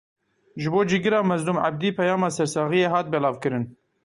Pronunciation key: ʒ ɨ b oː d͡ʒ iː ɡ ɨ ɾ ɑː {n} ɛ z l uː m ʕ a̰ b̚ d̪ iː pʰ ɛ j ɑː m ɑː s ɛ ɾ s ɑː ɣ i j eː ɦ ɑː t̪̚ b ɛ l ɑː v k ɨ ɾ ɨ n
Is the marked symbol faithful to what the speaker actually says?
no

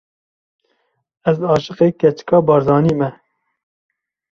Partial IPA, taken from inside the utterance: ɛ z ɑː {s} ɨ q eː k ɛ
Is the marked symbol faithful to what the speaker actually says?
no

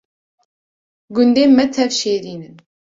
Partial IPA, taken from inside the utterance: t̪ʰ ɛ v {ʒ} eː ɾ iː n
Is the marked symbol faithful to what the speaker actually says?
no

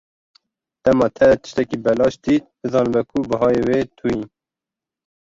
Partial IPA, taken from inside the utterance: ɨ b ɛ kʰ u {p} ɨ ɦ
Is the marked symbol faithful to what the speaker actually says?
no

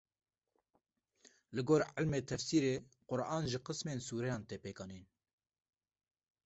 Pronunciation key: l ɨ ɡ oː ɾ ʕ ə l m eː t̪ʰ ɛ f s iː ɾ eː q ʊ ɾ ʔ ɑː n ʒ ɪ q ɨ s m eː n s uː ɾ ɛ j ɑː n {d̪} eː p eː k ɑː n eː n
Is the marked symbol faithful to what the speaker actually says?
no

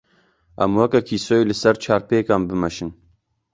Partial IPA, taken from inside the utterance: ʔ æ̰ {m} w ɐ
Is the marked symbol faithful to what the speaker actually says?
yes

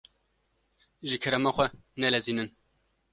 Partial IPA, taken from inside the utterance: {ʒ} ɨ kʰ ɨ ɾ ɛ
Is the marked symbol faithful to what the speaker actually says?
yes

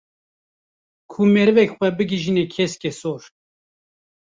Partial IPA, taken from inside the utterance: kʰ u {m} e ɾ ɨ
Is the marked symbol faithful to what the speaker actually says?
yes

